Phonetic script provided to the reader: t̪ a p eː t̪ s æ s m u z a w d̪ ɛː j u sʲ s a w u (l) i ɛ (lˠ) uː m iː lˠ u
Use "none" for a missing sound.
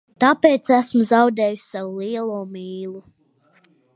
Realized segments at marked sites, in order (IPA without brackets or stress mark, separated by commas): l, lˠ